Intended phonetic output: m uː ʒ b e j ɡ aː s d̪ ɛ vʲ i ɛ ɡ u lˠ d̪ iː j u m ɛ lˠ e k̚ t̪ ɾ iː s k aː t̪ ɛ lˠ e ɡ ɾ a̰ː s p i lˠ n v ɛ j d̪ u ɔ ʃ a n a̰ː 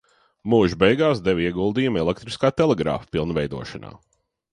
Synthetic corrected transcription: m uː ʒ b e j ɡ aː s d̪ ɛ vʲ i ɛ ɡ u lˠ d̪ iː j u m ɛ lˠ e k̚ t̪ ɾ i s k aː t̪ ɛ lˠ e ɡ ɾ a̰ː f p i lˠ n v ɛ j d̪ u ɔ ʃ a n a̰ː